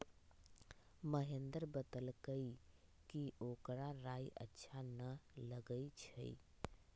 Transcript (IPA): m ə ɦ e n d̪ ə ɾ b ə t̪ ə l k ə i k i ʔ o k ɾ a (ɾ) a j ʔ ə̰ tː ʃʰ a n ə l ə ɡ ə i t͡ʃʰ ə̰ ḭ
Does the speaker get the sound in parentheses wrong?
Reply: no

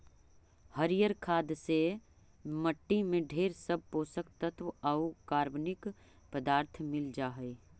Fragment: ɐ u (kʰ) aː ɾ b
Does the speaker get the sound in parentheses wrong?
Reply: yes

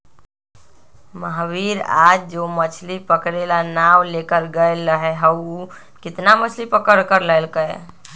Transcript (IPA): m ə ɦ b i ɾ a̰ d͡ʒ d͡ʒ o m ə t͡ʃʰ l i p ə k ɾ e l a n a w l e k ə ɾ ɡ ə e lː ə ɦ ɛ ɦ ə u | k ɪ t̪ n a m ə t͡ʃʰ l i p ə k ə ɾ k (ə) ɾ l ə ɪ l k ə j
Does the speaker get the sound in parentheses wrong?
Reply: no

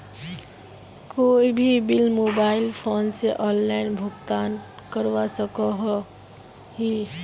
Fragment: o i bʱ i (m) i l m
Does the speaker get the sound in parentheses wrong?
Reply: yes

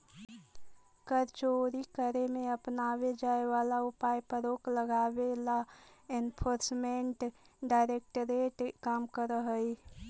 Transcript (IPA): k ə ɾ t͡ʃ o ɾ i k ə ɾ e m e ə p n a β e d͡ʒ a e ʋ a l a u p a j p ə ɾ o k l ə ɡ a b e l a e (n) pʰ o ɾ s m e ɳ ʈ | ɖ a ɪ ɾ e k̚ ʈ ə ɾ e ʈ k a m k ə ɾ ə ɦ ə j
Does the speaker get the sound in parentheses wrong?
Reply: no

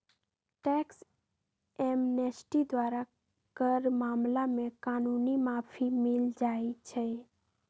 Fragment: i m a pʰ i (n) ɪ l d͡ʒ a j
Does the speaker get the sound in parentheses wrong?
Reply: yes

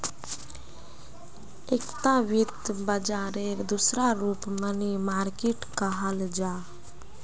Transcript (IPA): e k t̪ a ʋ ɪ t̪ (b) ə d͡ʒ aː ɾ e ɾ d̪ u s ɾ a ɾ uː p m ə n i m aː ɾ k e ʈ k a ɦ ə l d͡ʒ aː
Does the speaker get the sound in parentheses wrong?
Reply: no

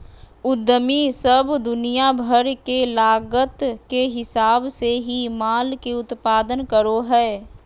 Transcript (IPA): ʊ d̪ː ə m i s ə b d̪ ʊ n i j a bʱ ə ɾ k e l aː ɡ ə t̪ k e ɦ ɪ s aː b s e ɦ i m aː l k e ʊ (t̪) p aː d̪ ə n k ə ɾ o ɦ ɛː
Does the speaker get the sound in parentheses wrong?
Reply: no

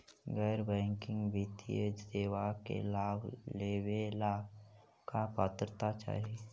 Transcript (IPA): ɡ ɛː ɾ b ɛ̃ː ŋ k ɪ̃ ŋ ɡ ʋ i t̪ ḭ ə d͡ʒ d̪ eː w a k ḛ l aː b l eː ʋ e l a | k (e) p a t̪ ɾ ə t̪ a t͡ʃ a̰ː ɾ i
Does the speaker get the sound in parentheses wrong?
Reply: yes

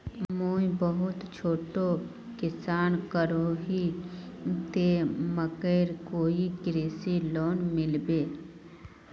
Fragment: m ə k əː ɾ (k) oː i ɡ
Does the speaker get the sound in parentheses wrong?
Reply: no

